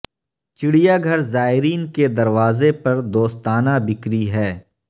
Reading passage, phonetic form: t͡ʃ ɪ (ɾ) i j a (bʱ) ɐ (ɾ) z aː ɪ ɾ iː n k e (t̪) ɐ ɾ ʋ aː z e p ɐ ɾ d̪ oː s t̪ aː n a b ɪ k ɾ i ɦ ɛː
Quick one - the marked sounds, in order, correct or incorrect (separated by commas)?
incorrect, incorrect, correct, incorrect